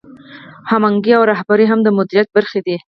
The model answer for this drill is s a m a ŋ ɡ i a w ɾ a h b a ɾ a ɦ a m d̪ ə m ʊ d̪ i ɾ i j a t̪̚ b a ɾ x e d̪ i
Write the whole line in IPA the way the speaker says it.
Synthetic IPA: h a m a ŋ ɡ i a w ɾ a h b a ɾ i ɦ a m d̪ ə m ʊ d̪ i ɾ i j a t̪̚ b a ɾ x e d̪ i